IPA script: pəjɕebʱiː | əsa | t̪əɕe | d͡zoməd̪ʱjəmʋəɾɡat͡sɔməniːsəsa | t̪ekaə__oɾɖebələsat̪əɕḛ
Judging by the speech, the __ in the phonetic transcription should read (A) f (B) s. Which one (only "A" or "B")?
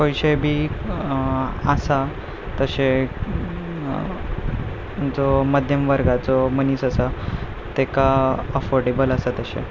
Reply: A